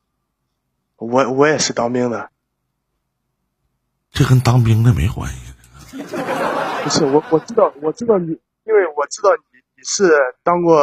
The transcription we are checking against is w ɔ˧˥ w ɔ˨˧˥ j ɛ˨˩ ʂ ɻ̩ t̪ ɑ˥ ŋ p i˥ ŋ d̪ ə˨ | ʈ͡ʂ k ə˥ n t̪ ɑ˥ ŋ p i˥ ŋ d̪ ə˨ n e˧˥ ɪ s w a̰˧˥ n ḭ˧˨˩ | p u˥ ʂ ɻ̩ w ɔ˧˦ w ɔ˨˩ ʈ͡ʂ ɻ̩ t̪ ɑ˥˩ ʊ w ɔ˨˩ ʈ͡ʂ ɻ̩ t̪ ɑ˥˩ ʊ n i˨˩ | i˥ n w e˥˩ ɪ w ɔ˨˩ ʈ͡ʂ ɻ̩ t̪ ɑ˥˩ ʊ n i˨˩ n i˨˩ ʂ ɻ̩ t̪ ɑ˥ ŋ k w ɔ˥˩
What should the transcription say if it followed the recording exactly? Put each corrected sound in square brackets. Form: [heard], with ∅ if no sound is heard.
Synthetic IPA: w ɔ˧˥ w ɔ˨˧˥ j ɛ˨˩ ʂ ɻ̩ t̪ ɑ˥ ŋ p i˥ ŋ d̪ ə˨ | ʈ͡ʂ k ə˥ n t̪ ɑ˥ ŋ p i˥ ŋ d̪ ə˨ [m] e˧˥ ɪ [x] w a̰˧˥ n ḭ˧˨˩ | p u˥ ʂ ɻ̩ w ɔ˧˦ w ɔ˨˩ ʈ͡ʂ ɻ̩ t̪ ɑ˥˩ ʊ w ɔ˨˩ ʈ͡ʂ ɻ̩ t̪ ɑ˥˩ ʊ n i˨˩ | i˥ n w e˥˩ ɪ w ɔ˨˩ ʈ͡ʂ ɻ̩ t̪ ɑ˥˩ ʊ n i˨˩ n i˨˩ ʂ ɻ̩ t̪ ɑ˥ ŋ k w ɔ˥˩